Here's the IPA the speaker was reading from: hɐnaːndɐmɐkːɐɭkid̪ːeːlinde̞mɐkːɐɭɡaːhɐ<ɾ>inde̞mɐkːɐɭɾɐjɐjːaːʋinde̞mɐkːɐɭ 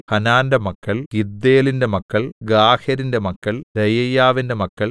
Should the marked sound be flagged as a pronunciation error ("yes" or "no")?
no